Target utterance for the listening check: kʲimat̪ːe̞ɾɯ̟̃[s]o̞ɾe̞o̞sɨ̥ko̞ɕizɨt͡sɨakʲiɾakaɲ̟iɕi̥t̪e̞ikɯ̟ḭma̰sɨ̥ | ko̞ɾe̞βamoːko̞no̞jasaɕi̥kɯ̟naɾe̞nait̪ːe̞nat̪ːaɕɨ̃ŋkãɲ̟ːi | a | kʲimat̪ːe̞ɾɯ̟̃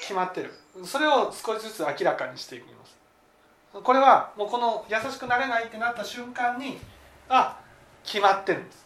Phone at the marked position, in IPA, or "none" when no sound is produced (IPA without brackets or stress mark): s